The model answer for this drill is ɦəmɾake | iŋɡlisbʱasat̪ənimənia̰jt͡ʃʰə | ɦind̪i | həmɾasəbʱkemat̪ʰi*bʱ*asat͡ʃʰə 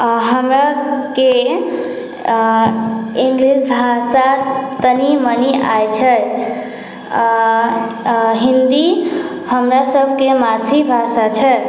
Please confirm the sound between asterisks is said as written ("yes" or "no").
yes